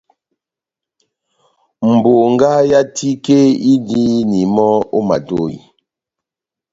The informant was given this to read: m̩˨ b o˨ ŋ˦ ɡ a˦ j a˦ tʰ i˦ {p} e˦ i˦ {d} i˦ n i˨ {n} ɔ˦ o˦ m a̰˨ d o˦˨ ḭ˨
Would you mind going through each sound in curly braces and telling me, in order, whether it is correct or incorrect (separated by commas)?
incorrect, correct, incorrect